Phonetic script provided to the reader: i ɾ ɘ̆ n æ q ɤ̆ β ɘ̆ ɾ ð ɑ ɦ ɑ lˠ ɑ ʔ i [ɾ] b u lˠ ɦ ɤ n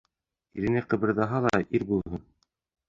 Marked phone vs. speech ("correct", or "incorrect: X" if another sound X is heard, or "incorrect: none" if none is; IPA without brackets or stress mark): correct